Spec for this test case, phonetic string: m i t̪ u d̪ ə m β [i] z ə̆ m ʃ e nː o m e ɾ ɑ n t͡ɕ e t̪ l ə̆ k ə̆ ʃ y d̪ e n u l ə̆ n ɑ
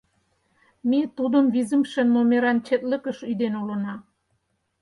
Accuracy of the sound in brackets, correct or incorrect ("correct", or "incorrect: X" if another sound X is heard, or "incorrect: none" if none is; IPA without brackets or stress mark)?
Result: correct